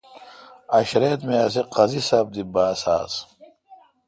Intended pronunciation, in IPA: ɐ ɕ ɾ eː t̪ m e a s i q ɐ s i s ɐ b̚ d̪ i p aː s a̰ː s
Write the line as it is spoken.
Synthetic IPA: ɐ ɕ ɾ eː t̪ m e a s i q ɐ z i s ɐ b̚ d̪ i b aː s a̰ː s